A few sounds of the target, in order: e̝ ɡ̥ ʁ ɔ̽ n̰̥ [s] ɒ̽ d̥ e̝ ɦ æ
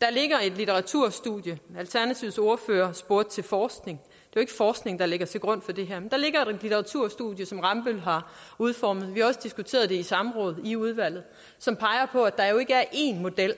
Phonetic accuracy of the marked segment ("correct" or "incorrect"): incorrect